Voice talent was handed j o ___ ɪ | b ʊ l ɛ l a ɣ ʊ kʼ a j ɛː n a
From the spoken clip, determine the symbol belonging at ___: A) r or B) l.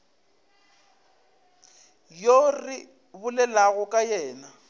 A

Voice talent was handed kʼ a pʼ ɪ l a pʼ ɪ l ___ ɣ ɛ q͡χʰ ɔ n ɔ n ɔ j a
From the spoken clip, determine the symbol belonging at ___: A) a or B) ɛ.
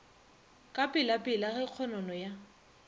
A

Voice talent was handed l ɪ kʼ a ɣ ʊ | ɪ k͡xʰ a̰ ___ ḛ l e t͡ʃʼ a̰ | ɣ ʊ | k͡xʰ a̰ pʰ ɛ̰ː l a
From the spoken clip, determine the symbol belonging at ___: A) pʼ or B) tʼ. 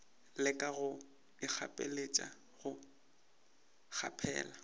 A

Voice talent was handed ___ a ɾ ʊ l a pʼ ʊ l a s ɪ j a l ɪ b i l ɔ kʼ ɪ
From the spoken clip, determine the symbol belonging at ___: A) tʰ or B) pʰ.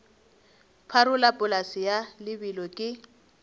B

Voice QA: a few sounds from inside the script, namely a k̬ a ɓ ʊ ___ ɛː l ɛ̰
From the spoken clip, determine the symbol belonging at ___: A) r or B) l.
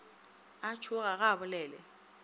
B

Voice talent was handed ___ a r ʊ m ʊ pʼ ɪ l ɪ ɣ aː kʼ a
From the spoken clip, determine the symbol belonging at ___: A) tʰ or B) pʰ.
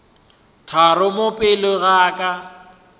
A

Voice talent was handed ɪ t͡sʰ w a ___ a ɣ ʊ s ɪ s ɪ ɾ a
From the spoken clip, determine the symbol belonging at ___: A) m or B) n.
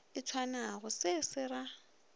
B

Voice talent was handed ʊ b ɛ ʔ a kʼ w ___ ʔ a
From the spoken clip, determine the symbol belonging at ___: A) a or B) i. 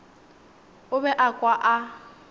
A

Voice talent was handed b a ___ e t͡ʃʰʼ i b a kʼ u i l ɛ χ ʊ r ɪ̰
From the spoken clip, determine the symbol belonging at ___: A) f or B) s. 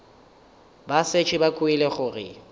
B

